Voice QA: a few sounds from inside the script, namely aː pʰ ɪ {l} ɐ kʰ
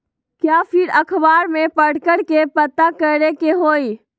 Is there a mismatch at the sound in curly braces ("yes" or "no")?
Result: yes